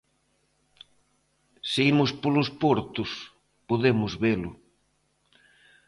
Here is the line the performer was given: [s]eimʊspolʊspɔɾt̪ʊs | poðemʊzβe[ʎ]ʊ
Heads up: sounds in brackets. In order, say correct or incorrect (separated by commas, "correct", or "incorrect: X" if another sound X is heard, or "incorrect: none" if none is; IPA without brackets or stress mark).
correct, incorrect: l